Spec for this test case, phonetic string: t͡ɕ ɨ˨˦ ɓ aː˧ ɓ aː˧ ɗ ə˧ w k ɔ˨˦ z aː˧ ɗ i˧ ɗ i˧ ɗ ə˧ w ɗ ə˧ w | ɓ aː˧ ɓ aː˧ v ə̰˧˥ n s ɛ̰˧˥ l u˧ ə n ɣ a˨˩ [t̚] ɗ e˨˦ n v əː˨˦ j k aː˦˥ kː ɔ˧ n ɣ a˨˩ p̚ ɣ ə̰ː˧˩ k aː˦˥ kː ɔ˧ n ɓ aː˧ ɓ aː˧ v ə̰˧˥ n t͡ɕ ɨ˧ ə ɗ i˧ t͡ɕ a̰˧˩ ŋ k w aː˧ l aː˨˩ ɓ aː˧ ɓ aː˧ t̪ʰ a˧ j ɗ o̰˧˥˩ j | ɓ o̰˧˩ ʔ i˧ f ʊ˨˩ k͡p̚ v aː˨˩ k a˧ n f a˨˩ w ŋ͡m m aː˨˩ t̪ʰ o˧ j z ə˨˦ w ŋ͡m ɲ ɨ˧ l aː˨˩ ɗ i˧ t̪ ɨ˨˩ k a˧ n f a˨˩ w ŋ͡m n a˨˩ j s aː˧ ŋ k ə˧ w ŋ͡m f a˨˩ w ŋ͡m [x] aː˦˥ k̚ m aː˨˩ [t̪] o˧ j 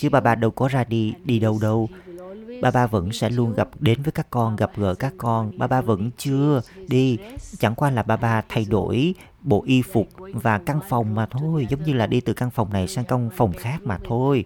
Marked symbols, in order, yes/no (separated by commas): no, yes, no